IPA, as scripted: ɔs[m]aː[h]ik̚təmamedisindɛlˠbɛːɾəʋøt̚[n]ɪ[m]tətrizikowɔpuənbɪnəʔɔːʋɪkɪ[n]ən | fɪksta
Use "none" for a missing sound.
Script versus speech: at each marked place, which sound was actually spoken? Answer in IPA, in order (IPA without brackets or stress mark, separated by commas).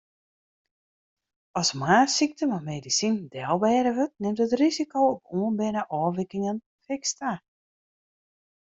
m, s, n, m, ŋ